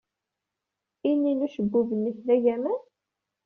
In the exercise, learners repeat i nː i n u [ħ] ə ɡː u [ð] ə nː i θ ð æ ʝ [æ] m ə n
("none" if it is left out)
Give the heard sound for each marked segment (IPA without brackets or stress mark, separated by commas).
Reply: ʃ, v, æ